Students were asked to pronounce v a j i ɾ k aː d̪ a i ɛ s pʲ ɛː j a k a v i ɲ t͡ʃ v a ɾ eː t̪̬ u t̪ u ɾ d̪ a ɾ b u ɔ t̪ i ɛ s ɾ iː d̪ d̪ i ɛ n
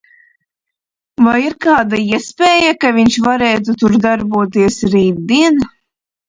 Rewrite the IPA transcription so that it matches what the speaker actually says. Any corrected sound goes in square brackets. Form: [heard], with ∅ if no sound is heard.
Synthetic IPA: v a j i ɾ k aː d̪ a i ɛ s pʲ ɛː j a k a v i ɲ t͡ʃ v a ɾ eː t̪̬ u t̪ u ɾ d̪ a ɾ b u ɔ t̪ i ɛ s ɾ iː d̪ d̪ i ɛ n